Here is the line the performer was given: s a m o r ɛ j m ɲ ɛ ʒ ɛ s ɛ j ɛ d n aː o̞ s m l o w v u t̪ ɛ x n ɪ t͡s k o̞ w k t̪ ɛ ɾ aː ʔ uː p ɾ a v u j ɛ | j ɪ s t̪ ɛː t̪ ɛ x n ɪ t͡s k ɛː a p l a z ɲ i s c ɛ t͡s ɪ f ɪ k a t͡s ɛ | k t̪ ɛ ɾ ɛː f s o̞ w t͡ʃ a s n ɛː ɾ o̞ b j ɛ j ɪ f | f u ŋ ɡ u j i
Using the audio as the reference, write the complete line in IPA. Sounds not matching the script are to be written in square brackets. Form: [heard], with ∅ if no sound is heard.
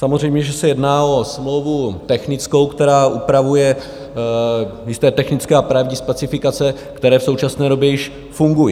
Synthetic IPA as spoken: s a m o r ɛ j m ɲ ɛ ʒ ɛ s ɛ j ɛ d n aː o̞ s m l o w v u t̪ ɛ x n ɪ t͡s k o̞ w k t̪ ɛ ɾ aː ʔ [u] p ɾ a v u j ɛ | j ɪ s t̪ ɛː t̪ ɛ x n ɪ t͡s k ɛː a p [ɾ] a [v] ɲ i s [p] ɛ t͡s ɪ f ɪ k a t͡s ɛ | k t̪ ɛ ɾ ɛː f s o̞ w t͡ʃ a s n ɛː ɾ o̞ b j ɛ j ɪ [ʃ] | f u ŋ ɡ u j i